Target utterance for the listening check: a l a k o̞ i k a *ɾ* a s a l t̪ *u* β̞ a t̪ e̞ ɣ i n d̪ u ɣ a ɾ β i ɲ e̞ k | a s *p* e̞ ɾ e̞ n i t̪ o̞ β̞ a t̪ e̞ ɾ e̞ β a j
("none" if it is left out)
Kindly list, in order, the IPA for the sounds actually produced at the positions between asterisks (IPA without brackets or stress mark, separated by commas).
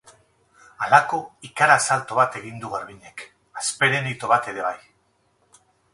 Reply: ɾ, o, p